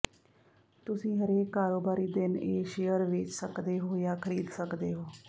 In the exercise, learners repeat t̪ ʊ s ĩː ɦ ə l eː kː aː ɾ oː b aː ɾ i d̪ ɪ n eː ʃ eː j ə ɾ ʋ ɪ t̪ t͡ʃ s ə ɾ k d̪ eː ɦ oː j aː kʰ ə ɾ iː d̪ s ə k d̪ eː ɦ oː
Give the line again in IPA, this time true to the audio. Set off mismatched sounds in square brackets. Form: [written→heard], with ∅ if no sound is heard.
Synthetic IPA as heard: t̪ ʊ s ĩː ɦ ə [l→ɾ] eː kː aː ɾ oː b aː ɾ [i→iː] d̪ ɪ n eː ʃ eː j ə ɾ ʋ ɪ [t̪→∅] t͡ʃ s ə [ɾ→∅] k d̪ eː ɦ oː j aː kʰ ə ɾ iː d̪ s ə k d̪ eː ɦ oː

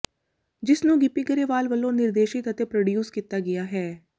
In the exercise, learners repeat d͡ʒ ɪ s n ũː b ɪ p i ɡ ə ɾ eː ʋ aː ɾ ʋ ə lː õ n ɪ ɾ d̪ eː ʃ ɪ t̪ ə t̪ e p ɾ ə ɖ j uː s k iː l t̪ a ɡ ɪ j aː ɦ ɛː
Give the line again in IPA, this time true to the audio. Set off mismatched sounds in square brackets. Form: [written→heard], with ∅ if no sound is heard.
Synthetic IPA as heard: d͡ʒ ɪ s n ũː [b→ɡ] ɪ p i ɡ ə ɾ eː ʋ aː [ɾ→l] ʋ ə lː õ n ɪ ɾ d̪ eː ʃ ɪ t̪ ə t̪ e p ɾ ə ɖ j uː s k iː [l→∅] t̪ a ɡ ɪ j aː ɦ ɛː

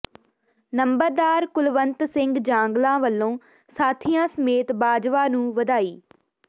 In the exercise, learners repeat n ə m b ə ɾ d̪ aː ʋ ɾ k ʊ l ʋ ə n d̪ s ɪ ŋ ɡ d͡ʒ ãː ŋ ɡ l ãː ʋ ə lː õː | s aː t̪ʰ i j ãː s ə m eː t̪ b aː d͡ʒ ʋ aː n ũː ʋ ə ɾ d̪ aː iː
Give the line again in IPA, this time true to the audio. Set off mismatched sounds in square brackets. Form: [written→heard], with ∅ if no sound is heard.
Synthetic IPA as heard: n ə m b ə ɾ d̪ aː [ʋ→∅] ɾ k ʊ l ʋ ə n [d̪→t̪] s ɪ ŋ ɡ d͡ʒ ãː ŋ ɡ l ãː ʋ ə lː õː | s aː t̪ʰ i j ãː s ə m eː t̪ b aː d͡ʒ ʋ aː n ũː ʋ ə [ɾ→∅] d̪ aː iː

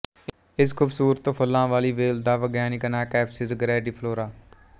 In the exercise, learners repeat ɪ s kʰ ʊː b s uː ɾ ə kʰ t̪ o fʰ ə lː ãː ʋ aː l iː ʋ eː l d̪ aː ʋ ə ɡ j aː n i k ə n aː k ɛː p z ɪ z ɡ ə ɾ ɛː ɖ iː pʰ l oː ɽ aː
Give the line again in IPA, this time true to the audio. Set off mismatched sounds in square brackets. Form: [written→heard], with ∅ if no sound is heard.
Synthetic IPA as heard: ɪ s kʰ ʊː b s uː ɾ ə [kʰ→∅] t̪ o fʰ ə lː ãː ʋ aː l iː ʋ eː l d̪ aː ʋ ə ɡ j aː n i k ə n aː k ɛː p [z→s] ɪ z ɡ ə ɾ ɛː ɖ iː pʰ l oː [ɽ→ɾ] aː

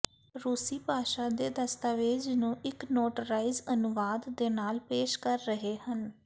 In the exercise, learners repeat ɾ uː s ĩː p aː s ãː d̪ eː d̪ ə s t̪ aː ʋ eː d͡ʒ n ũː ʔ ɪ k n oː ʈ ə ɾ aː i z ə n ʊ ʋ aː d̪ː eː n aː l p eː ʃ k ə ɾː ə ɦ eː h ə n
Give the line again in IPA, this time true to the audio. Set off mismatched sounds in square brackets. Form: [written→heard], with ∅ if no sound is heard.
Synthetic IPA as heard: ɾ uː s [ĩː→iː] p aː [s→ʃ] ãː d̪ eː d̪ ə s t̪ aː ʋ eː d͡ʒ n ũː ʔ ɪ k n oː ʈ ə ɾ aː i z ə n ʊ ʋ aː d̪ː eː n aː l p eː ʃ k ə ɾː ə ɦ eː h ə n

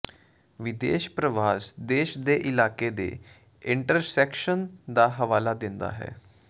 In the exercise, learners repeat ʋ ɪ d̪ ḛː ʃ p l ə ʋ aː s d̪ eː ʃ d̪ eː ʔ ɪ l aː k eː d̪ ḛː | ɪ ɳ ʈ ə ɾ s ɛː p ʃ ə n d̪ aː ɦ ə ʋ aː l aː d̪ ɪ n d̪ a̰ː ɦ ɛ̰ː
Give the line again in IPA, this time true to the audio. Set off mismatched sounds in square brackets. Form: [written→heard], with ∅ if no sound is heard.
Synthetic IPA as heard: ʋ ɪ d̪ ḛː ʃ p [l→ɾ] ə ʋ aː s d̪ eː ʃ d̪ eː ʔ ɪ l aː k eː d̪ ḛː | ɪ ɳ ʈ ə ɾ s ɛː [p→k] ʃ ə n d̪ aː ɦ ə ʋ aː l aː d̪ ɪ n d̪ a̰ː ɦ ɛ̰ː

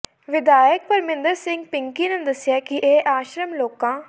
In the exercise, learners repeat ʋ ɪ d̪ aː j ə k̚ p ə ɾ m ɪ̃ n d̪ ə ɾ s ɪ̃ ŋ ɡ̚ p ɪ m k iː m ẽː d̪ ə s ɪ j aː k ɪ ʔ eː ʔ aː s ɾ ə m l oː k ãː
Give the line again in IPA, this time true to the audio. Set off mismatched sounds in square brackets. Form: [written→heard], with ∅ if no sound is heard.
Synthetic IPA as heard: ʋ ɪ d̪ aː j ə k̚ p ə ɾ m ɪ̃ n d̪ ə ɾ s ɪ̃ ŋ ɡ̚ p ɪ [m→ŋ] k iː [m→n] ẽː d̪ ə s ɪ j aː k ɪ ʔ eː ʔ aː [s→ʃ] ɾ ə m l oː k ãː

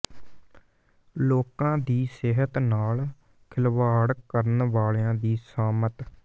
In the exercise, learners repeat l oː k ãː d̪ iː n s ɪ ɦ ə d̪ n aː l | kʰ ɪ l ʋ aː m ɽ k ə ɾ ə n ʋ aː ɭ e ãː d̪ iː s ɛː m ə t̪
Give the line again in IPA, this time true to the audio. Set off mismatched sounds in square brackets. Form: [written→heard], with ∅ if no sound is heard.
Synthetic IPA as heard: l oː k ãː d̪ iː [n→∅] s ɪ ɦ ə [d̪→t̪] n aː l | kʰ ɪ l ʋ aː [m→∅] ɽ k ə ɾ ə n ʋ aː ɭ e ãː d̪ iː s [ɛː→aː] m ə t̪

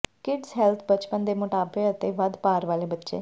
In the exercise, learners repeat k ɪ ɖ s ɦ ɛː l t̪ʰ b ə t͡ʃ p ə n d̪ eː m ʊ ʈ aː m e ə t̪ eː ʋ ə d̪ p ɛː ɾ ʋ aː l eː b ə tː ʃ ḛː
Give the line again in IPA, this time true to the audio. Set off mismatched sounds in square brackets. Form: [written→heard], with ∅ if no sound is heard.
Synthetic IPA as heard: k ɪ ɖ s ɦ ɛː l t̪ʰ b ə t͡ʃ p ə n d̪ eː m ʊ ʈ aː [m→b] e ə t̪ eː ʋ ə d̪ p [ɛː→aː] ɾ ʋ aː l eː b ə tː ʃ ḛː

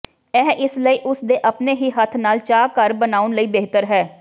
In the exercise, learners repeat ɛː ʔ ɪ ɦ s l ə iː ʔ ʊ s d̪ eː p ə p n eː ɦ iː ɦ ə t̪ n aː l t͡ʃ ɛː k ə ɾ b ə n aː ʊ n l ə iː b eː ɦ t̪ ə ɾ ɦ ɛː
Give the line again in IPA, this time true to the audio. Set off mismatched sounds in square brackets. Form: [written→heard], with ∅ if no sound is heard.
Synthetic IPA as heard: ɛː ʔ ɪ [ɦ→∅] s l ə iː ʔ ʊ s d̪ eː [p→ʔ] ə p n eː ɦ iː ɦ ə [t̪→t̪ʰ] n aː l t͡ʃ [ɛː→aː] k ə ɾ b ə n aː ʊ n l ə iː b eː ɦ t̪ ə ɾ ɦ ɛː

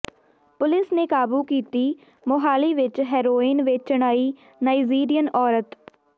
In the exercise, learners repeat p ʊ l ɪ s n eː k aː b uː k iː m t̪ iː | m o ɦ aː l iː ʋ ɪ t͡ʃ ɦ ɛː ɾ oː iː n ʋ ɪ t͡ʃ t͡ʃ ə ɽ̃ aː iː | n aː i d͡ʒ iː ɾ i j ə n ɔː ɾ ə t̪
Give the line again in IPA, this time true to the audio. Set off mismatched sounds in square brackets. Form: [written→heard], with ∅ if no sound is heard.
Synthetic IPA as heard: p ʊ l ɪ s n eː k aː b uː k iː [m→∅] t̪ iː | m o ɦ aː l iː ʋ ɪ t͡ʃ ɦ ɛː ɾ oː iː n ʋ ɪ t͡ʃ t͡ʃ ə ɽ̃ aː iː | n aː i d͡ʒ iː ɾ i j ə n ɔː ɾ ə t̪

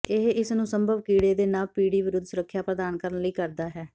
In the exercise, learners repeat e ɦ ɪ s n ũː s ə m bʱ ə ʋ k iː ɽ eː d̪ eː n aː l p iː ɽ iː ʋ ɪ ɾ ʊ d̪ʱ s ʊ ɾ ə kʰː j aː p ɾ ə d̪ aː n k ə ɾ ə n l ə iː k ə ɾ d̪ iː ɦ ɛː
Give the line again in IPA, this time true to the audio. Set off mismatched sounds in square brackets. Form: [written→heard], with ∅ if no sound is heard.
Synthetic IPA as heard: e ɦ ɪ s n ũː s ə m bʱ ə ʋ k iː ɽ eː d̪ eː n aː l p iː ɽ iː ʋ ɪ ɾ ʊ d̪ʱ s ʊ ɾ ə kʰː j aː p ɾ ə d̪ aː n k ə ɾ ə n l ə iː k ə ɾ d̪ [iː→aː] ɦ ɛː

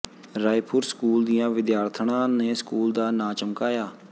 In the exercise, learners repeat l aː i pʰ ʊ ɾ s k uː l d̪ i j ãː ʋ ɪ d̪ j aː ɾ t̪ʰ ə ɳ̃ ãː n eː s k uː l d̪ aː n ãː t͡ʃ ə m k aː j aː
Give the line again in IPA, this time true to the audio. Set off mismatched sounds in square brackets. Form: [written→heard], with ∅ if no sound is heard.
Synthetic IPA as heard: [l→ɾ] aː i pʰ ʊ ɾ s k uː l d̪ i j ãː ʋ ɪ d̪ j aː ɾ t̪ʰ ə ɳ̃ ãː n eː s k uː l d̪ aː n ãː t͡ʃ ə m k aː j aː

